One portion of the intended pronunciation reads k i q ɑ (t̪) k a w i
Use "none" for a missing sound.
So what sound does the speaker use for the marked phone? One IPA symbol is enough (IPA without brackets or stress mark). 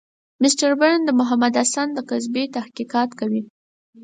t̪